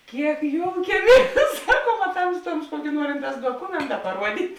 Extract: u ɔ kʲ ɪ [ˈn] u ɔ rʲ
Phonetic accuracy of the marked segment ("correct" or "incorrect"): correct